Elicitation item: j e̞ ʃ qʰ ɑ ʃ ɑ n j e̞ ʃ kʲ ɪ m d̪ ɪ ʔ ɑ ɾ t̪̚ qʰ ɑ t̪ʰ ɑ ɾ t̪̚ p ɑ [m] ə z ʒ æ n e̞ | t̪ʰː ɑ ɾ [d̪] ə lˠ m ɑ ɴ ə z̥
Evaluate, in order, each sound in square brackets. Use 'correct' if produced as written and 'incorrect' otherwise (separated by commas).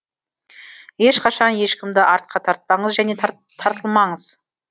incorrect, incorrect